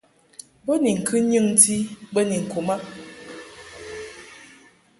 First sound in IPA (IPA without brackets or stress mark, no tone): b